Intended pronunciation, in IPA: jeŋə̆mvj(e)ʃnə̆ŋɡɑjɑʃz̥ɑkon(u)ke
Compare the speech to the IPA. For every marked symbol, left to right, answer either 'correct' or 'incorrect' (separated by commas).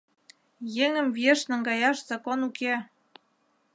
correct, correct